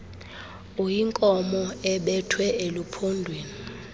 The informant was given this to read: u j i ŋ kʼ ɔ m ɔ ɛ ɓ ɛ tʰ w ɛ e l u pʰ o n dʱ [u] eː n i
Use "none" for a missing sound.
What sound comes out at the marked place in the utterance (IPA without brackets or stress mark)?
w